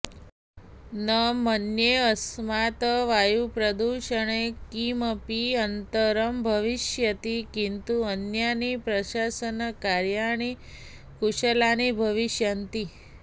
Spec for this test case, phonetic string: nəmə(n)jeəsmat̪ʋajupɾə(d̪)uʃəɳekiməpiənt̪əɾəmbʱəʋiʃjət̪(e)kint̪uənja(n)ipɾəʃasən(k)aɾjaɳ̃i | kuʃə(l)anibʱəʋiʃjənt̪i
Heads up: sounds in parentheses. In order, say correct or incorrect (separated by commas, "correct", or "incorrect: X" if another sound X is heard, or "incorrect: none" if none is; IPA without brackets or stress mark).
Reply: correct, correct, incorrect: i, correct, correct, correct